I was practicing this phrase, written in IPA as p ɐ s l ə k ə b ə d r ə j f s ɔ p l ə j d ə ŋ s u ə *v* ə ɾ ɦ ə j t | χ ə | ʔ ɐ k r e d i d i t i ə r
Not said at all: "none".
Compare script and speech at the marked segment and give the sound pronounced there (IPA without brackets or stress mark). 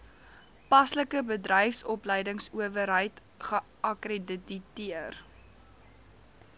v